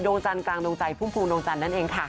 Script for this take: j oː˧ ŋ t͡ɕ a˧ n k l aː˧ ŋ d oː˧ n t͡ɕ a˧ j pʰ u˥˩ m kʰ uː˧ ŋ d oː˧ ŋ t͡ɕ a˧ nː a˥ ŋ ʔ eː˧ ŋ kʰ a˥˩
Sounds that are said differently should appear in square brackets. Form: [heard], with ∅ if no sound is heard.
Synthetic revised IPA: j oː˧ ŋ t͡ɕ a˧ n k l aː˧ ŋ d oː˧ [ŋ] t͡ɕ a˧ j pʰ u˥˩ m [pʰ] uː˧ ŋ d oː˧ ŋ t͡ɕ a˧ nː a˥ [n] ʔ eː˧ ŋ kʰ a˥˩

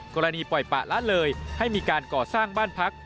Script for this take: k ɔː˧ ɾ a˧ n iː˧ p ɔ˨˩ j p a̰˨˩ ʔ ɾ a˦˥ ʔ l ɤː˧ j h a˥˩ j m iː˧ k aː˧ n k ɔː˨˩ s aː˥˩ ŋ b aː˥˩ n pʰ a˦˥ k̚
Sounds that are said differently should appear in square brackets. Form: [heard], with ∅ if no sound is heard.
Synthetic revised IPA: k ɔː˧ ɾ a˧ n iː˧ p ɔ˨˩ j p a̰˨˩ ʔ [l] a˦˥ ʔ l ɤː˧ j h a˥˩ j m iː˧ k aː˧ n k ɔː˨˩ s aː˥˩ ŋ b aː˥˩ n pʰ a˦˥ k̚

